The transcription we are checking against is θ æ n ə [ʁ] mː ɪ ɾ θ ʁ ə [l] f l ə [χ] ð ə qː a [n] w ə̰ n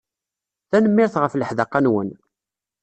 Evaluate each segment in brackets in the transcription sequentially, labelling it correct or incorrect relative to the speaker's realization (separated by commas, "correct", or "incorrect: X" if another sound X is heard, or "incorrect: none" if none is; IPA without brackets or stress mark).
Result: incorrect: none, incorrect: none, incorrect: ħ, correct